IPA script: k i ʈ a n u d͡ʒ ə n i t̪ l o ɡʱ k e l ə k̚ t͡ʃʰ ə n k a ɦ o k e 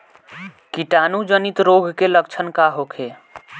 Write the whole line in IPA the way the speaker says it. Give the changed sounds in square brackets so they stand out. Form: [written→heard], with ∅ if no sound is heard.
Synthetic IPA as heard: k i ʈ a n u d͡ʒ ə n i t̪ [l→ɾ] o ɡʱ k e l ə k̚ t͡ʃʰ ə n k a ɦ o [k→kʰ] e